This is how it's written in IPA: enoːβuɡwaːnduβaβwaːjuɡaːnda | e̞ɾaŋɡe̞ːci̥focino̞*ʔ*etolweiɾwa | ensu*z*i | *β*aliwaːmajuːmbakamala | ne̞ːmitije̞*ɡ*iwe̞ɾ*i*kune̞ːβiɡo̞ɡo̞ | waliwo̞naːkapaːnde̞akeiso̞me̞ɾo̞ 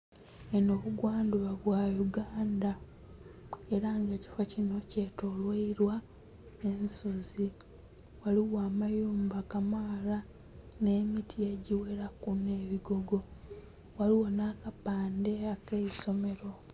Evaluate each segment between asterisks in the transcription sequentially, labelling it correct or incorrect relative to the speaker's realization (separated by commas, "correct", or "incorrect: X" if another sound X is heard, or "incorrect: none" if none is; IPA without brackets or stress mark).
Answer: incorrect: c, correct, incorrect: w, incorrect: ɟ, incorrect: a